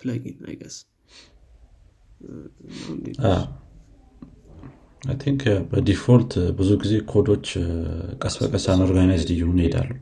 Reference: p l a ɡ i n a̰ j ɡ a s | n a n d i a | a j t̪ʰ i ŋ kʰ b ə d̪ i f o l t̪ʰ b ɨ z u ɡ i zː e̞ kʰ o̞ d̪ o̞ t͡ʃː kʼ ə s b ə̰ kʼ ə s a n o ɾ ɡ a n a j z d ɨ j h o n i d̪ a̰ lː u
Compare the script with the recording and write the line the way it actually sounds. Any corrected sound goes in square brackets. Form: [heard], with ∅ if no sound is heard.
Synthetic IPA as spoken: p l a ɡ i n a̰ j ɡ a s | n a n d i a | a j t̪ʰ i ŋ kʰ b ə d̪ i f o l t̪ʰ b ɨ z u ɡ i [z] e̞ kʰ o̞ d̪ o̞ t͡ʃː kʼ ə s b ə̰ kʼ ə s a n o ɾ ɡ a n a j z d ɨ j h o n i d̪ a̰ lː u